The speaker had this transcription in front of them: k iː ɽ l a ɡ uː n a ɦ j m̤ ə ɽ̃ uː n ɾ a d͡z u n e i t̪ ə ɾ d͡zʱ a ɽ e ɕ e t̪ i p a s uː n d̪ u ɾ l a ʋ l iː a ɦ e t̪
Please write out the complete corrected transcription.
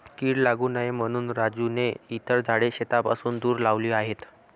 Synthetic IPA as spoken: k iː ɽ l a ɡ uː n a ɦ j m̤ ə ɽ̃ uː n ɾ a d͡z u n e i t̪ ə ɾ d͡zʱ a ɽ e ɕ e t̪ a p a s uː n d̪ uː ɾ l a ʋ l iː a ɦ e t̪